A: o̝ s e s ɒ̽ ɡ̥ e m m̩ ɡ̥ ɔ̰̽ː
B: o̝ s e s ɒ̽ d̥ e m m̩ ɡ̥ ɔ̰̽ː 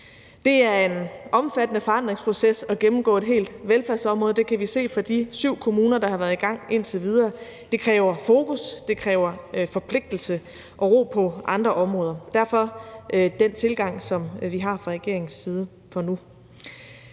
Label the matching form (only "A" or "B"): A